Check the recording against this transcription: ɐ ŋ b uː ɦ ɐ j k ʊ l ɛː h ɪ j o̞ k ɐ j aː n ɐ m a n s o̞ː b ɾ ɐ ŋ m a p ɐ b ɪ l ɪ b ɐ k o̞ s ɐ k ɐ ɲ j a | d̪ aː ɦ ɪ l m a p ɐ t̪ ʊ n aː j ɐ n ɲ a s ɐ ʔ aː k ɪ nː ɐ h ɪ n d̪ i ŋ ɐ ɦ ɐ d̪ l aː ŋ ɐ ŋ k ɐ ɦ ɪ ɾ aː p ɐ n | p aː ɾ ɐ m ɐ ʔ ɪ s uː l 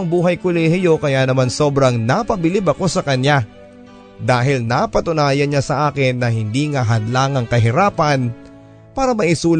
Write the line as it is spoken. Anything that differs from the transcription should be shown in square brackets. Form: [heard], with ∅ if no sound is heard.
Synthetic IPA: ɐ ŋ b uː ɦ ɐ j k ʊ l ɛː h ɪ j o̞ k ɐ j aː n ɐ m a n s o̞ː b ɾ ɐ ŋ [n] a p ɐ b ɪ l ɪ b ɐ k o̞ s ɐ k ɐ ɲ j a | d̪ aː ɦ ɪ l [n] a p ɐ t̪ ʊ n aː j ɐ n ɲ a s ɐ ʔ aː k ɪ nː ɐ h ɪ n d̪ i ŋ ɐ ɦ ɐ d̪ l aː ŋ ɐ ŋ k ɐ ɦ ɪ ɾ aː p ɐ n | p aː ɾ ɐ m ɐ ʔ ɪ s uː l